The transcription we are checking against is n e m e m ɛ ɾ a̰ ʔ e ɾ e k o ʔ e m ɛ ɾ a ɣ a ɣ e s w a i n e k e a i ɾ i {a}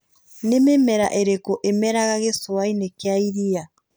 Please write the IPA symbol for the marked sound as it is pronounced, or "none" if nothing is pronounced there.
a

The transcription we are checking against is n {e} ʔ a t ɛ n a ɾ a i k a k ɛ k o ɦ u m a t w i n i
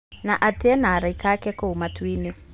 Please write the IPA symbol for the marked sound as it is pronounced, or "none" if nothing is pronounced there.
a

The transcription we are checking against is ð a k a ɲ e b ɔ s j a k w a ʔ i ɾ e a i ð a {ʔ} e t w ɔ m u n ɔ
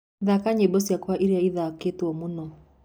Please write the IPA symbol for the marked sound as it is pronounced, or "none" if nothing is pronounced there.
k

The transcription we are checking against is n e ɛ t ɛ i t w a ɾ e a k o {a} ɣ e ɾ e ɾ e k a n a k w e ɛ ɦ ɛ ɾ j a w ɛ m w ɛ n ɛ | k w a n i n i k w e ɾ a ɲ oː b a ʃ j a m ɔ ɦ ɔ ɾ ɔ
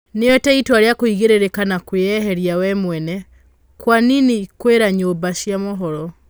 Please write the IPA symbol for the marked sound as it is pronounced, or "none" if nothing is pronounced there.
i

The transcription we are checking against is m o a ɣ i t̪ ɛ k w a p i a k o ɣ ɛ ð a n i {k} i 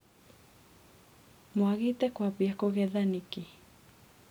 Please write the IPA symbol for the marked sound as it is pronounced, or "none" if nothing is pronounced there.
k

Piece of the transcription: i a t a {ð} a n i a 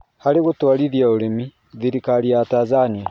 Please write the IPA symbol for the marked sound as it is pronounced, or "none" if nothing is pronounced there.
z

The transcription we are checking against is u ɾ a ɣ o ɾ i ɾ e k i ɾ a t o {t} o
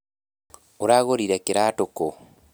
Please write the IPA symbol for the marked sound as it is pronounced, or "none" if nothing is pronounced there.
k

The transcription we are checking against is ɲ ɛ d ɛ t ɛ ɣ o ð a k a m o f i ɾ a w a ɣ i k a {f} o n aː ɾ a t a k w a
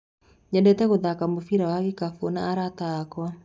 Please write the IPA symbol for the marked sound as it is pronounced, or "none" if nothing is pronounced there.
f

